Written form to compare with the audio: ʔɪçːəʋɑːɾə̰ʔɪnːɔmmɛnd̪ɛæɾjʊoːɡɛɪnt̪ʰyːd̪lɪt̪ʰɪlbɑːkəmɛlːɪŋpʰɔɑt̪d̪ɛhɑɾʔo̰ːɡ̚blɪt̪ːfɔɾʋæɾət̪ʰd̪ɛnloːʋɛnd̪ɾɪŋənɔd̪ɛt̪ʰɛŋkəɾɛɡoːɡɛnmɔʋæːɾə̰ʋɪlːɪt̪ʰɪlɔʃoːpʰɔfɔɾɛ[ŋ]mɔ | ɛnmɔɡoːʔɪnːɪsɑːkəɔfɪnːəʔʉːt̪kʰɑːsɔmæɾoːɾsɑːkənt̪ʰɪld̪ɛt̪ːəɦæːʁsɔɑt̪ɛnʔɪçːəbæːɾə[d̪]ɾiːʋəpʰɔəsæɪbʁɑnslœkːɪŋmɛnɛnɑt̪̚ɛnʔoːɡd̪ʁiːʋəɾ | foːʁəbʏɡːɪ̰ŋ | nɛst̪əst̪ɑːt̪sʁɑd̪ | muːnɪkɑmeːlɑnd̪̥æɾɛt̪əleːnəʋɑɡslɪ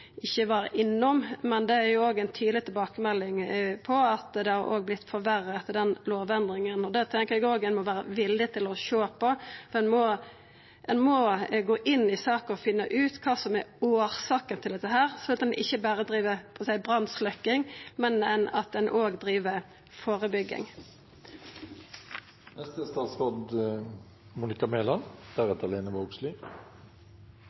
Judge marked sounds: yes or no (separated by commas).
no, yes